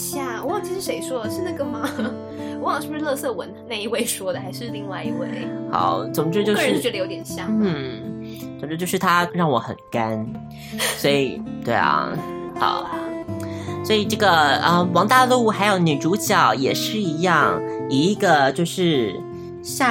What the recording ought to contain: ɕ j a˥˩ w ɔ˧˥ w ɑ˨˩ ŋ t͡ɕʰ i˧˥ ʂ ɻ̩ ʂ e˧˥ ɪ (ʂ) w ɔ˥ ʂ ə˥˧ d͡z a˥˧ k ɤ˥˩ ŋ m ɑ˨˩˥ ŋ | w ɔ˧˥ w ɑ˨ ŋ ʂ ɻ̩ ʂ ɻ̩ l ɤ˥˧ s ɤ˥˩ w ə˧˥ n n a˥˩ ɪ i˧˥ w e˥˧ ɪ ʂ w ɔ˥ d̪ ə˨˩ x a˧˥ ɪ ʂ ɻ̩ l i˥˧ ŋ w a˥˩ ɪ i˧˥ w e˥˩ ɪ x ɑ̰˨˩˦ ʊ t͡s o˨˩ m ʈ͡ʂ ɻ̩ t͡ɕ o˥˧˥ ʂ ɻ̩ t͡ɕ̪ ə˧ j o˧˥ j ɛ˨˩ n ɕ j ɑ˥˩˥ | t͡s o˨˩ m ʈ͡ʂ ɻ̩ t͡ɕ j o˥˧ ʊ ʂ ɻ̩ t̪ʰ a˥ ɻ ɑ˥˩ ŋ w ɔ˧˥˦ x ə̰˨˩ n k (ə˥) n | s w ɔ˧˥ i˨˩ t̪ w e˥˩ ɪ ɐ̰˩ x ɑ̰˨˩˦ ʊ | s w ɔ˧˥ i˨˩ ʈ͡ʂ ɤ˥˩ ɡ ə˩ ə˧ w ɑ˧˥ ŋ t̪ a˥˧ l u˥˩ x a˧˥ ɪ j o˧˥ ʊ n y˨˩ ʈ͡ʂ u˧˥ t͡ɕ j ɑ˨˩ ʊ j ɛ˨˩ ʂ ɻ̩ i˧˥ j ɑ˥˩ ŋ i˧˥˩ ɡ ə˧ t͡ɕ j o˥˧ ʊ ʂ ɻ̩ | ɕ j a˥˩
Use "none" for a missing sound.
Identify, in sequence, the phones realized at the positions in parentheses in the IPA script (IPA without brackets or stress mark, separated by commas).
ʂ, a˥